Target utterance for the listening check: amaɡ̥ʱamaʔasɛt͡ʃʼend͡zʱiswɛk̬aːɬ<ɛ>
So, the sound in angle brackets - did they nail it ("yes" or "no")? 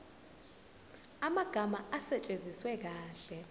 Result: yes